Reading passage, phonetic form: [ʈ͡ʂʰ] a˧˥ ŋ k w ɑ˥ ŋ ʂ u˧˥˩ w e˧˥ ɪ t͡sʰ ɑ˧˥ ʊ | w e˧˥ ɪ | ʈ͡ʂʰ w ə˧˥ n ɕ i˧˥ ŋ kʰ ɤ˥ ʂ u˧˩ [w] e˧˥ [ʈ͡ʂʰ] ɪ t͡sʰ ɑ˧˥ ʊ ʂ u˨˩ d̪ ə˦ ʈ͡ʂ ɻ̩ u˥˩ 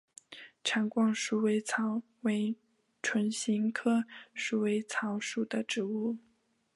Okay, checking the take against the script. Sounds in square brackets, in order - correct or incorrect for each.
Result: correct, correct, incorrect

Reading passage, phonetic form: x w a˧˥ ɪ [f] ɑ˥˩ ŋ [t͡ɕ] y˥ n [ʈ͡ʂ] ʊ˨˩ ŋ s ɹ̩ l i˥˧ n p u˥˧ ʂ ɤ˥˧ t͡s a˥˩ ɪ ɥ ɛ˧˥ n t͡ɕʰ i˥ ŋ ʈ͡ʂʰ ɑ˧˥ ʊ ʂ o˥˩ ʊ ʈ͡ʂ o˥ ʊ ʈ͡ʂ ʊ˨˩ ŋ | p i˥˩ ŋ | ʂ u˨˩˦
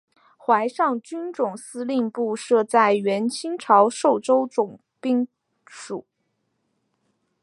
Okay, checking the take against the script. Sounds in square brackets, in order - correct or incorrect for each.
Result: incorrect, correct, correct

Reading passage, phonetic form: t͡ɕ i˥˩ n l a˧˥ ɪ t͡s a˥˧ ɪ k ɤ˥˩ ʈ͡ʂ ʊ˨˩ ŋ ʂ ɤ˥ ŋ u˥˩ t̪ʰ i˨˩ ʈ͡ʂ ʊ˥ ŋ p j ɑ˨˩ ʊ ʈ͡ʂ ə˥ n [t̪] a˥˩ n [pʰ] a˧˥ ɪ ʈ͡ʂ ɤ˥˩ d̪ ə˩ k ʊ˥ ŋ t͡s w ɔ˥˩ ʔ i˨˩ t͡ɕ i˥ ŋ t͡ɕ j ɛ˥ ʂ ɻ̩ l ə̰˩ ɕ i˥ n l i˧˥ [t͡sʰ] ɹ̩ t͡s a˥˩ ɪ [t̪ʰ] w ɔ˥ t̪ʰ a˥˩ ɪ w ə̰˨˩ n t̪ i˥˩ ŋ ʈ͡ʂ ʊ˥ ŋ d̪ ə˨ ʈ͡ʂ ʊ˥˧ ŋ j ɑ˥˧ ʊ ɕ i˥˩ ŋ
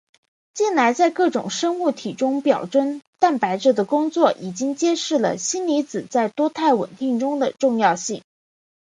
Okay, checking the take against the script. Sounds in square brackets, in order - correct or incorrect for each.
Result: correct, incorrect, incorrect, incorrect

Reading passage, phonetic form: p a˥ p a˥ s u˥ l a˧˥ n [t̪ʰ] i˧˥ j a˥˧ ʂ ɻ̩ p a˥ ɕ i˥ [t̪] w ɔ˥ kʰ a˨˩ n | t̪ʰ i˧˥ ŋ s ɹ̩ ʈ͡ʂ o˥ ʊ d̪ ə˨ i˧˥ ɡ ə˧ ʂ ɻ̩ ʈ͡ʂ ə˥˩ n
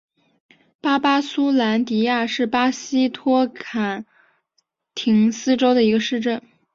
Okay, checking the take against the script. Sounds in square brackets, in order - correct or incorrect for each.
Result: incorrect, incorrect

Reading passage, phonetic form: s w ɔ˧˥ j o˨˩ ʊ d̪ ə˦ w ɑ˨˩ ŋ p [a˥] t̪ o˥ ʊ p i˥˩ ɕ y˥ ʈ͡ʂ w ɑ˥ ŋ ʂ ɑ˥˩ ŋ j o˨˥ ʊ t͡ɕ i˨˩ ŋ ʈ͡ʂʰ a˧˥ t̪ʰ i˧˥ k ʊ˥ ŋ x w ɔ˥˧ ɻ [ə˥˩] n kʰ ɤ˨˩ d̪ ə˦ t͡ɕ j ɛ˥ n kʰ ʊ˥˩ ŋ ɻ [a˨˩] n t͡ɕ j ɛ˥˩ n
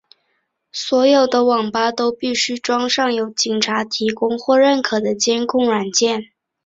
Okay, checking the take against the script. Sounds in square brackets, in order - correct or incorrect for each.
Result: correct, correct, correct

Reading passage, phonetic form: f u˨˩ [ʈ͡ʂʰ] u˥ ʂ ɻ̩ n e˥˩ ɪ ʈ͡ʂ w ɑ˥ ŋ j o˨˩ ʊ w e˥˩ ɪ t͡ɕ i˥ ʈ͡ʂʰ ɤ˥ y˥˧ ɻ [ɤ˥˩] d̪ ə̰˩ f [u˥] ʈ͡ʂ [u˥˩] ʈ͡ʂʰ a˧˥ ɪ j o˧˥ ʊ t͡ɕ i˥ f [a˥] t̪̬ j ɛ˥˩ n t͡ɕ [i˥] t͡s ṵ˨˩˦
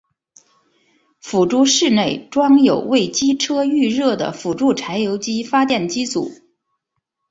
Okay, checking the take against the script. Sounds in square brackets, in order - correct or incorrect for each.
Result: incorrect, correct, incorrect, correct, correct, correct

